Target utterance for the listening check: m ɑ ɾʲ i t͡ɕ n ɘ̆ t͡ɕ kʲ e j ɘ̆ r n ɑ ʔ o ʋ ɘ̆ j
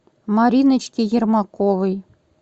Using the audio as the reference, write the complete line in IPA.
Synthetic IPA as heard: m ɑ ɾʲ i n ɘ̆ t͡ɕ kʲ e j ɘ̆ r m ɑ k o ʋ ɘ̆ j